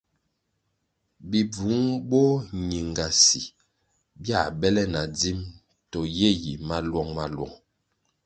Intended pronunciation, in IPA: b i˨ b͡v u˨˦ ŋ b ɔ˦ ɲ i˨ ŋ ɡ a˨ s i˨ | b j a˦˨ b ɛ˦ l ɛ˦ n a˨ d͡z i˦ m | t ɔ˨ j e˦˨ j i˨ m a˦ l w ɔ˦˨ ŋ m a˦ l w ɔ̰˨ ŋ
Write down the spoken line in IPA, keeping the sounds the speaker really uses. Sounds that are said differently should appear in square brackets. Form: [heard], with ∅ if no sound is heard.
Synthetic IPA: b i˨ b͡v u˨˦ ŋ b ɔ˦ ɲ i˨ ŋ ɡ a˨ s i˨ | b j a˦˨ b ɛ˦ l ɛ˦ n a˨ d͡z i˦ m | t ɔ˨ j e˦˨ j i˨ m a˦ l w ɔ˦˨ ŋ m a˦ l w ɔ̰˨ ŋ